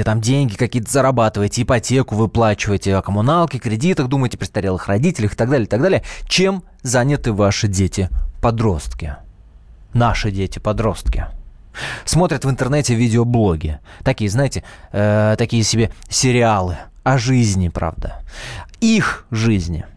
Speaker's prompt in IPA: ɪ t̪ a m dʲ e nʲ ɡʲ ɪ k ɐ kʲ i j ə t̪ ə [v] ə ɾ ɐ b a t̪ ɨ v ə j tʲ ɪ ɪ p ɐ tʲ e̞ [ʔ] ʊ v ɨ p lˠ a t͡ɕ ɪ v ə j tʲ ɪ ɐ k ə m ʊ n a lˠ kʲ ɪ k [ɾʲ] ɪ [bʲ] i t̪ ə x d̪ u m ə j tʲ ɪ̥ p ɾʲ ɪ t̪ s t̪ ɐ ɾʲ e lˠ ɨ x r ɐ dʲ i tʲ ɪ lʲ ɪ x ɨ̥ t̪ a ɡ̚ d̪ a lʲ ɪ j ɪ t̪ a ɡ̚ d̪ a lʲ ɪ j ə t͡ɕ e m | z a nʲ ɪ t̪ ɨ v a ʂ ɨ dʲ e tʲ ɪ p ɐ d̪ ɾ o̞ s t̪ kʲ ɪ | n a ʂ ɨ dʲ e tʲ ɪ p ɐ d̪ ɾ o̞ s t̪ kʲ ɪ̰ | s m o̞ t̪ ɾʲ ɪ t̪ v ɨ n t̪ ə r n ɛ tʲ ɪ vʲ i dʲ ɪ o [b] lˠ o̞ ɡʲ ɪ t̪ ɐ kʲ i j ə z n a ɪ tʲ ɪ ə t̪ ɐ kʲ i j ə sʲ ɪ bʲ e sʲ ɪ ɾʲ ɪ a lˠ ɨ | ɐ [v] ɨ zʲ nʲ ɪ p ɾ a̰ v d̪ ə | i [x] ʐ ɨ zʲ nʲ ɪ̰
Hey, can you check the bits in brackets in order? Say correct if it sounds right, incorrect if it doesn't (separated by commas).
incorrect, incorrect, correct, incorrect, correct, incorrect, correct